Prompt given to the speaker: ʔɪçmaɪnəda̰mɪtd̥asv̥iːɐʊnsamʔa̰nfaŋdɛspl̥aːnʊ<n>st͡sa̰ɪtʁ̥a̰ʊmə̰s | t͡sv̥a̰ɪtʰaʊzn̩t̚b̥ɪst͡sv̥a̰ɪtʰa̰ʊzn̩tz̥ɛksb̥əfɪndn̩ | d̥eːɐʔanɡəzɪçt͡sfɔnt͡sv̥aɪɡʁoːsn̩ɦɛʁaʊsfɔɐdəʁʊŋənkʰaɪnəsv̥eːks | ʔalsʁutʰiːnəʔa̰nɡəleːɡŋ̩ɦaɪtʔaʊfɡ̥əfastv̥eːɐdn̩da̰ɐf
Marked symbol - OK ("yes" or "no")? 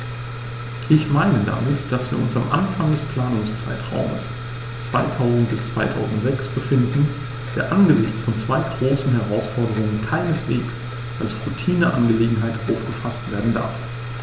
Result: no